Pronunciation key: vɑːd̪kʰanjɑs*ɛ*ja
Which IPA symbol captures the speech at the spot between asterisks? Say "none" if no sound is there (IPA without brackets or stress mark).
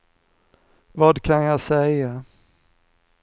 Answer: ɛ